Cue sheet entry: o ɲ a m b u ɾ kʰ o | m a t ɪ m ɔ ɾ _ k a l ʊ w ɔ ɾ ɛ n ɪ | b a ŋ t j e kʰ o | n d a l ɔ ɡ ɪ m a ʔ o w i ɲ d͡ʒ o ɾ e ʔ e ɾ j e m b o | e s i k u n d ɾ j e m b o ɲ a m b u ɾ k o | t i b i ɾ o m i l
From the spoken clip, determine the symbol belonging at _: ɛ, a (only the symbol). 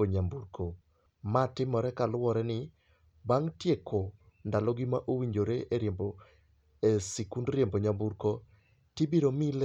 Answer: ɛ